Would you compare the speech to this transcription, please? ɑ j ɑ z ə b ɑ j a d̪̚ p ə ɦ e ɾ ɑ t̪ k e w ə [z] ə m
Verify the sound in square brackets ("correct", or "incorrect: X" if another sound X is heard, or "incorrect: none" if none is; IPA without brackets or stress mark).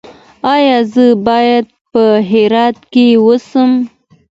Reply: incorrect: s